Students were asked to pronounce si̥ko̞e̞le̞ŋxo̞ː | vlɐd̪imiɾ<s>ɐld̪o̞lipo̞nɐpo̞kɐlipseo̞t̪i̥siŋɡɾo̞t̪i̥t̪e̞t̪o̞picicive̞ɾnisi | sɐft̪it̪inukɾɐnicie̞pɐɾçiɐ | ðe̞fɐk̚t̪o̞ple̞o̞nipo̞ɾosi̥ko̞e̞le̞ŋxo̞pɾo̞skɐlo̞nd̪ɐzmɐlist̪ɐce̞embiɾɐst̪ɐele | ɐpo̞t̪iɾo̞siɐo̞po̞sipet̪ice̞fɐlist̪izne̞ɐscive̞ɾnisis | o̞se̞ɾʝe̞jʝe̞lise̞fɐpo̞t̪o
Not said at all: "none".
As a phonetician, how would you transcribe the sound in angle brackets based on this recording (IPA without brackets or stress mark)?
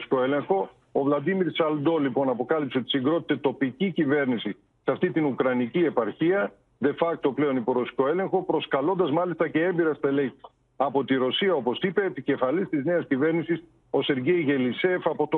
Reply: s